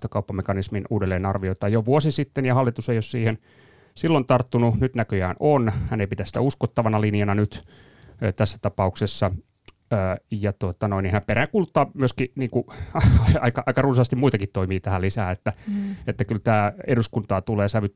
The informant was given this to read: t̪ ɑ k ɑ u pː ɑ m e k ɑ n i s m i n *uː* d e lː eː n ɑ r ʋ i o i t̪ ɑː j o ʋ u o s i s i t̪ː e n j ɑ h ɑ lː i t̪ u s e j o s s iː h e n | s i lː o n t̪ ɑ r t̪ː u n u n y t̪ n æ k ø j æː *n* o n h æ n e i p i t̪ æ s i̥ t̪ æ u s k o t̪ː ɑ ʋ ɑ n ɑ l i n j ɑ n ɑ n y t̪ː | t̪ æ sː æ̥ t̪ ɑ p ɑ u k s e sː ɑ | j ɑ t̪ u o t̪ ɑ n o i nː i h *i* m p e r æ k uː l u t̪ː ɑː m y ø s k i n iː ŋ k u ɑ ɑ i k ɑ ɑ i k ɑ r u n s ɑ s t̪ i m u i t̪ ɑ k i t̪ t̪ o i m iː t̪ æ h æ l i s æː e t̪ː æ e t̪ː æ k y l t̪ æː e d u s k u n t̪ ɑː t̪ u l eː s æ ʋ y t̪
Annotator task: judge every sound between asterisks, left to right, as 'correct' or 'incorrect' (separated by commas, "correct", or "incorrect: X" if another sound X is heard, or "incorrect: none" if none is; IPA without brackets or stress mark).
correct, correct, incorrect: æ